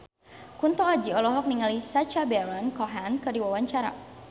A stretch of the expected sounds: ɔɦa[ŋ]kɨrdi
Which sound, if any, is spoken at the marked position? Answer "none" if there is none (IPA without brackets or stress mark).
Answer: n